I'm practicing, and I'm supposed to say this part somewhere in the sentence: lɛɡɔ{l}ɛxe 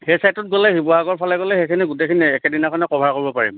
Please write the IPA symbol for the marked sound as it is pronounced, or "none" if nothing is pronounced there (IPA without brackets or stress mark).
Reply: l